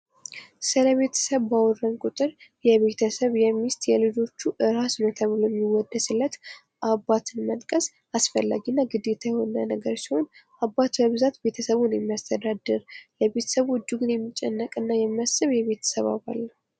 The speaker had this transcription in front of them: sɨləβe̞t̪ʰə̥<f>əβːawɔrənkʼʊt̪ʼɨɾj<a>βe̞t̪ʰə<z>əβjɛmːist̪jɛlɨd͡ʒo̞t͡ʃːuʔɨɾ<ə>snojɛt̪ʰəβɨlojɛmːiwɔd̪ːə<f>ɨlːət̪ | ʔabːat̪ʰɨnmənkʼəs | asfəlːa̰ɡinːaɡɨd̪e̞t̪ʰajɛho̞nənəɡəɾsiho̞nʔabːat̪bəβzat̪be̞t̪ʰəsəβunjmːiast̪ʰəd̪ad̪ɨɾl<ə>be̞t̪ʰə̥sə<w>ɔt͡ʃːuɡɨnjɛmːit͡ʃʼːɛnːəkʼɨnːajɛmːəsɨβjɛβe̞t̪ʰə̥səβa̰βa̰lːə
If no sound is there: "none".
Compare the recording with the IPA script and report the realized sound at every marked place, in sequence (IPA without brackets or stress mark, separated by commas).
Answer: s, ɛ, s, a, s, ə, β